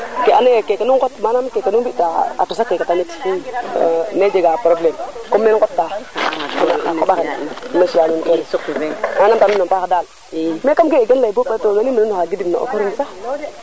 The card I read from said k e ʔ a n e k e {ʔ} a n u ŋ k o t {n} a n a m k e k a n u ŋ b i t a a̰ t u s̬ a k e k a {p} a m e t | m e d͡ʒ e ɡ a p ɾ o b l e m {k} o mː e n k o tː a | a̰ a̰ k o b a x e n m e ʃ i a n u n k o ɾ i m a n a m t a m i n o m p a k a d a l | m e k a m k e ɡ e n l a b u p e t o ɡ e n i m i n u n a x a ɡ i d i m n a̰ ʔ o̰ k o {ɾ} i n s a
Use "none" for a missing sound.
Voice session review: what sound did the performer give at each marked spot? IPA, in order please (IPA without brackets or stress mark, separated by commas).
k, m, t, k, ɾ